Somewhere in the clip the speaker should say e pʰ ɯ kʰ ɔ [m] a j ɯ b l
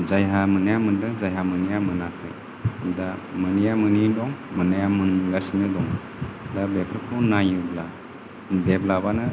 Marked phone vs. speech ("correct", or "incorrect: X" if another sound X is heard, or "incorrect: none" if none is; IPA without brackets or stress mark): incorrect: n